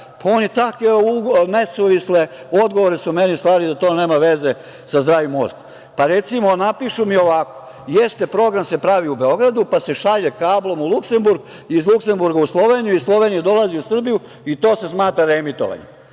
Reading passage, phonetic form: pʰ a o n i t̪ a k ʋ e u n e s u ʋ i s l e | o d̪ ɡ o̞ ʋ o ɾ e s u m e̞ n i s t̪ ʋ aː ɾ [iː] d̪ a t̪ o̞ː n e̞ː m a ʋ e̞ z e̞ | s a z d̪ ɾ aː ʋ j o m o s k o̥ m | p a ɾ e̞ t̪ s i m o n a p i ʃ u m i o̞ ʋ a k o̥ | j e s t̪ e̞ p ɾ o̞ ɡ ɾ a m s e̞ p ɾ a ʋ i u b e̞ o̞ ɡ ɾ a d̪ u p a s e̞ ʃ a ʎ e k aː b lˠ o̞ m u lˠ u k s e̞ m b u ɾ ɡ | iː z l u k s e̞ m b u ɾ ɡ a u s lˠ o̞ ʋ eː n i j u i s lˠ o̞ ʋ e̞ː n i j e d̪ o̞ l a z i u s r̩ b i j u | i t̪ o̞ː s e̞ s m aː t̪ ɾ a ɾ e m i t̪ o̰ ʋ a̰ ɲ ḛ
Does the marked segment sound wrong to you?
yes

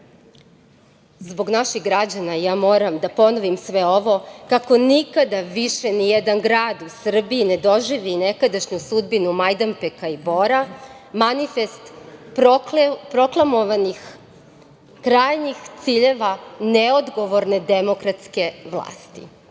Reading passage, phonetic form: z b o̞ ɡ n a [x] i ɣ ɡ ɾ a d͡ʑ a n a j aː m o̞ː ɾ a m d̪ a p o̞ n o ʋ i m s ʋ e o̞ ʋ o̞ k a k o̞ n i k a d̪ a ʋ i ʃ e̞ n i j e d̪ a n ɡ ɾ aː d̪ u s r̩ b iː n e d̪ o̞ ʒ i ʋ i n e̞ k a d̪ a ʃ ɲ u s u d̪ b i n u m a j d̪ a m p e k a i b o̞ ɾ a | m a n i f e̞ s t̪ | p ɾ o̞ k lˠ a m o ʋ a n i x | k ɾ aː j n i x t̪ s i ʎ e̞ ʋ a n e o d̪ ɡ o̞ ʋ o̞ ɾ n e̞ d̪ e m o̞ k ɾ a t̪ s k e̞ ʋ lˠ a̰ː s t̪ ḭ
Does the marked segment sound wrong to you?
yes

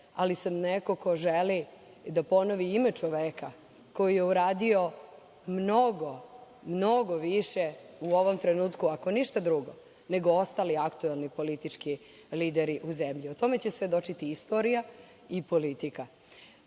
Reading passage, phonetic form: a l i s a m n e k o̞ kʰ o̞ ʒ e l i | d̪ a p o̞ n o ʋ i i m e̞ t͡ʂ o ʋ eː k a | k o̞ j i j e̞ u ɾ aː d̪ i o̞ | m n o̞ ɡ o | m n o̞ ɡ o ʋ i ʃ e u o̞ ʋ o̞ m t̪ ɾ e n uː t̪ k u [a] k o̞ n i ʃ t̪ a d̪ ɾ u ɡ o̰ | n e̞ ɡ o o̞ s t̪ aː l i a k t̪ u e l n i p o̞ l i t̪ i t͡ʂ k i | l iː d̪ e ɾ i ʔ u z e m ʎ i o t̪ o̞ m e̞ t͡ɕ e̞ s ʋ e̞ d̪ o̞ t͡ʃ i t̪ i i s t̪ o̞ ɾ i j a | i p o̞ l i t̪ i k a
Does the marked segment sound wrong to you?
no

